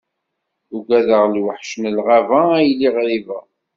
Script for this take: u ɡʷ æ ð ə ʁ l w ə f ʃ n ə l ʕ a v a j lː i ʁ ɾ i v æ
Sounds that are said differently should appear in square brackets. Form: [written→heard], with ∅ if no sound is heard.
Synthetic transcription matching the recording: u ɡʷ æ ð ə ʁ l w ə [f→ħ] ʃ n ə l [ʕ→ʁ] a v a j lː i ʁ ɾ i v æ